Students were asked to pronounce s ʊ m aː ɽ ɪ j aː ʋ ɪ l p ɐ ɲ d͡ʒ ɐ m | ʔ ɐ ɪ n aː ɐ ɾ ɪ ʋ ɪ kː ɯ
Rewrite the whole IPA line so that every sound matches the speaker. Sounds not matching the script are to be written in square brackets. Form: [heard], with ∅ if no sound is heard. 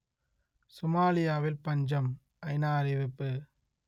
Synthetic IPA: s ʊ m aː [l] ɪ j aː ʋ ɪ l p ɐ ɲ d͡ʒ ɐ m | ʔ ɐ ɪ n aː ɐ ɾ ɪ ʋ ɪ [pː] ɯ